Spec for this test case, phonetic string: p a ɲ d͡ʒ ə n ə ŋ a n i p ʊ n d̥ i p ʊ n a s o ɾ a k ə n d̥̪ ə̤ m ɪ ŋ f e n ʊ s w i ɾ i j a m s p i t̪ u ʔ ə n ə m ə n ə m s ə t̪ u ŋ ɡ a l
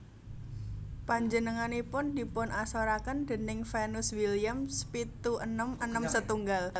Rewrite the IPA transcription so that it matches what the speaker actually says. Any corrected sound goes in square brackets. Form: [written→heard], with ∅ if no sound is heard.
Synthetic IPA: p a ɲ d͡ʒ ə n ə ŋ a n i p ʊ n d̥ i p ʊ n a s o ɾ a k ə n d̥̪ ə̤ [m→n] ɪ ŋ f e n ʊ s w i [ɾ→l] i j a m s p i t̪ u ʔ ə n ə m ə n ə m s ə t̪ u ŋ ɡ a l